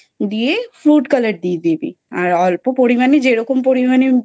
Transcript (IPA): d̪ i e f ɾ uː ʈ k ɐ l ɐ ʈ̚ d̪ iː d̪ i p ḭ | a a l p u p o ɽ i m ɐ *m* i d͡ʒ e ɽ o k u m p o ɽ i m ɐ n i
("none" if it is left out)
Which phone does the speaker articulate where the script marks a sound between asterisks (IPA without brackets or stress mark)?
n